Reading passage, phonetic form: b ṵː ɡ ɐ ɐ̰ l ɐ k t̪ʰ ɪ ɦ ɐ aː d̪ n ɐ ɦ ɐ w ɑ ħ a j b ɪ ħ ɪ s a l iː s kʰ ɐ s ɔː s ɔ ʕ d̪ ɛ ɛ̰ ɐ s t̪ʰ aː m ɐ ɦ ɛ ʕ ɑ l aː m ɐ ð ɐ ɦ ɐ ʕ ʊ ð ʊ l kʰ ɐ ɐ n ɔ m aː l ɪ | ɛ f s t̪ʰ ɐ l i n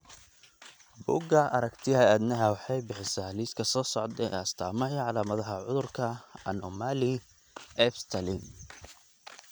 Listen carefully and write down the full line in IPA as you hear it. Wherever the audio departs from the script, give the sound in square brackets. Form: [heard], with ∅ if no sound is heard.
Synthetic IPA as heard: b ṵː ɡ ɐ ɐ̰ [ɾ] ɐ k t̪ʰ ɪ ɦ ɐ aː d̪ n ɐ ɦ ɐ w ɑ ħ [ɑ] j b ɪ ħ ɪ s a l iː s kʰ ɐ s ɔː s ɔ ʕ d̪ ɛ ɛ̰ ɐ s t̪ʰ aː m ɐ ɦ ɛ ʕ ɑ l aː m ɐ ð ɐ ɦ ɐ ʕ ʊ ð ʊ [r] kʰ ɐ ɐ n ɔ m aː l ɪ | ɛ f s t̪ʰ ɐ l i n